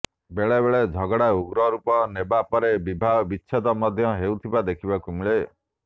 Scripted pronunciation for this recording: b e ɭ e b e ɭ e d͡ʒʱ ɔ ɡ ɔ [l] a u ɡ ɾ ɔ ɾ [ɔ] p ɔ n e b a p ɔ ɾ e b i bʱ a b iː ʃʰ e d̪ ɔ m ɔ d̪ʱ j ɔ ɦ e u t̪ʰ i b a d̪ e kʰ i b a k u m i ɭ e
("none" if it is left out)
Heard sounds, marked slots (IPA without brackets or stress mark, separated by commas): ɽ, u